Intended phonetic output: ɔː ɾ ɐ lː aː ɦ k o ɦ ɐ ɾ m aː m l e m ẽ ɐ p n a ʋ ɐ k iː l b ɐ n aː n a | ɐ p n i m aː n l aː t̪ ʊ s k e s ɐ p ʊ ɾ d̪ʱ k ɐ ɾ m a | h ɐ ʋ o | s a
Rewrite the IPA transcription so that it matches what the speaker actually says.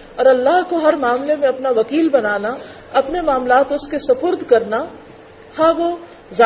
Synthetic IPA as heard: ɔː ɾ ɐ lː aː ɦ k o ɦ ɐ ɾ m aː m l e m ẽ ɐ p n a ʋ ɐ k iː l b ɐ n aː n a | ɐ p n e m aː m l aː t̪ ʊ s k e s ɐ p ʊ ɾ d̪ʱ k ɐ ɾ n a | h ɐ ʋ o | z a